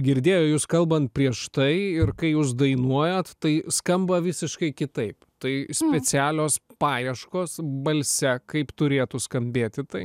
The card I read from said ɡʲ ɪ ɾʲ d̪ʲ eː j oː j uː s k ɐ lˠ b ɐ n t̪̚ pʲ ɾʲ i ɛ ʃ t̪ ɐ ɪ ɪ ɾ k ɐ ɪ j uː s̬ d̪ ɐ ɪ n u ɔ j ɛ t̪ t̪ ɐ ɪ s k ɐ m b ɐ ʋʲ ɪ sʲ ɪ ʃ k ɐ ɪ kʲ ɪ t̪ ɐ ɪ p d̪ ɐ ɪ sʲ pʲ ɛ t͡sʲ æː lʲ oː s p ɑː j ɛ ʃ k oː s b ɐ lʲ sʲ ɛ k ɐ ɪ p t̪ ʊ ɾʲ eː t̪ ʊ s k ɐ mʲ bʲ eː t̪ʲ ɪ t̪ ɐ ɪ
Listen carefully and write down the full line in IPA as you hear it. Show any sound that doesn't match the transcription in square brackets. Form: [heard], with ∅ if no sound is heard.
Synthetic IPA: ɡʲ ɪ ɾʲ d̪ʲ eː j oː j uː s k ɐ lˠ b ɐ n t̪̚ pʲ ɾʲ i ɛ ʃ t̪ ɐ ɪ ɪ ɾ k ɐ ɪ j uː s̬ d̪ ɐ ɪ n u ɔ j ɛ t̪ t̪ ɐ ɪ s k ɐ m b ɐ ʋʲ ɪ sʲ ɪ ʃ k ɐ ɪ kʲ ɪ t̪ ɐ ɪ p [t̪] ɐ ɪ sʲ pʲ ɛ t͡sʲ æː lʲ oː s p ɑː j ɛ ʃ k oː s b ɐ lʲ sʲ ɛ k ɐ ɪ p t̪ ʊ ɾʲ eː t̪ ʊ s k ɐ mʲ bʲ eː t̪ʲ ɪ t̪ ɐ ɪ